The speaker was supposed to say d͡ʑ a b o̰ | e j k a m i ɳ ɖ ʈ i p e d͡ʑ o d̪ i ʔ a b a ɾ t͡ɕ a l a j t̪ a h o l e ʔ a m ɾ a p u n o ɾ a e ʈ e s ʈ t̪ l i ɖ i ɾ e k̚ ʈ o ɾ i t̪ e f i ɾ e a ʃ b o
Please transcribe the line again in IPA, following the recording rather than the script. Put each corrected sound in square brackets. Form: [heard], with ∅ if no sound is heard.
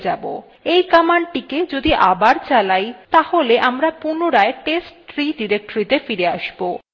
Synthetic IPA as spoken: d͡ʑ a b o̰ | e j k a m [a] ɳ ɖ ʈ i [k] e d͡ʑ o d̪ i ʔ a b a ɾ t͡ɕ a l a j t̪ a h o l e ʔ a m ɾ a p u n o ɾ a e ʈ e s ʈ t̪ [ɾ] i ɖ i ɾ e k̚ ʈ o ɾ i t̪ e f i ɾ e a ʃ b o